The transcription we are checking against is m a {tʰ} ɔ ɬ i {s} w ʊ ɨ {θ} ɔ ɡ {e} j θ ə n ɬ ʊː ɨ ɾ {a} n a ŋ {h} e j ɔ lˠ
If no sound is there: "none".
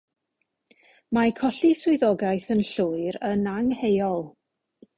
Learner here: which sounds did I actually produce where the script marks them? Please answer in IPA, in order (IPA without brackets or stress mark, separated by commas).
kʰ, s, ð, a, ə, h